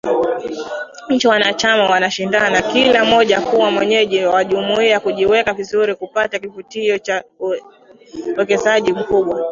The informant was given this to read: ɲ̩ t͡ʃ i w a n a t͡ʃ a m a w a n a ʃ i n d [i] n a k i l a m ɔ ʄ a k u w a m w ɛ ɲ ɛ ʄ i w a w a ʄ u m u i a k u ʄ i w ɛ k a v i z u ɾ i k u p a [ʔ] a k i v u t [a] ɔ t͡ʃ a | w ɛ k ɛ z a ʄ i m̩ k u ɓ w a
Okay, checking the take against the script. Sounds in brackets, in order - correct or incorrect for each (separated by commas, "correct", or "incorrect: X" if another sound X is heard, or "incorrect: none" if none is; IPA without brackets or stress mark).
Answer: incorrect: a, incorrect: t, incorrect: i